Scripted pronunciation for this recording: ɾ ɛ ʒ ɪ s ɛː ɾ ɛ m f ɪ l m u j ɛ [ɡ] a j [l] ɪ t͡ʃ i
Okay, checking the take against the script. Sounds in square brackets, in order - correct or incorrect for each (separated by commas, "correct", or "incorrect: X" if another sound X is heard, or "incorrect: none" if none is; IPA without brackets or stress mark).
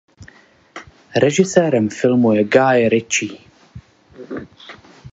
correct, incorrect: ɾ